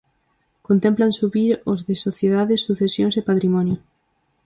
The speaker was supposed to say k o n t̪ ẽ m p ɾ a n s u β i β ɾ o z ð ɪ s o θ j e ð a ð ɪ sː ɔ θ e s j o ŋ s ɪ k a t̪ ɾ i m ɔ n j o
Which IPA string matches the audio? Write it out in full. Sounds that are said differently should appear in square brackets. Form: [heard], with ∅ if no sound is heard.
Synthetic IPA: k o n t̪ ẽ m p [l] a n s u β i [∅] ɾ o z ð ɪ s o θ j e ð a ð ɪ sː [u] θ e s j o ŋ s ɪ [p] a t̪ ɾ i m ɔ n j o

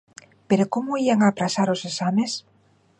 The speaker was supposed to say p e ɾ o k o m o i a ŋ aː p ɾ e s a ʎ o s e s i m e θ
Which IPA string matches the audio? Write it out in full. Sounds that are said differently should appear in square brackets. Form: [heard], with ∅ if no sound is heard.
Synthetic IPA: p e ɾ o k o m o i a ŋ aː p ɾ [a] s a [ɾ] o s e s [a] m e [s]

